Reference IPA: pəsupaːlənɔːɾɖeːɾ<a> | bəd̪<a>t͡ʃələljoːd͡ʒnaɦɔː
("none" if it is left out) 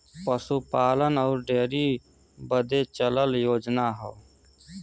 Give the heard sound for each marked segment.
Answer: i, e

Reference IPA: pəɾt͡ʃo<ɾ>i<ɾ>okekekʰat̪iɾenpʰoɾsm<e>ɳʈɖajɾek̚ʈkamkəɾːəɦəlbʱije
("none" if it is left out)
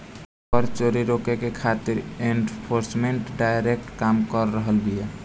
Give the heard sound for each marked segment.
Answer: ɾ, ɾ, e

